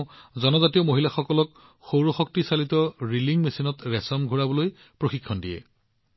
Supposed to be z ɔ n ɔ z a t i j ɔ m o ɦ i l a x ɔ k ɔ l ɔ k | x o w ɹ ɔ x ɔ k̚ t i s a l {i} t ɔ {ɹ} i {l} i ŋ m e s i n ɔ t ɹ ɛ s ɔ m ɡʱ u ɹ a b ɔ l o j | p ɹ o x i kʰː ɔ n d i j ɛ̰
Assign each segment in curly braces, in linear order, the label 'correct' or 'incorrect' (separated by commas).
correct, correct, correct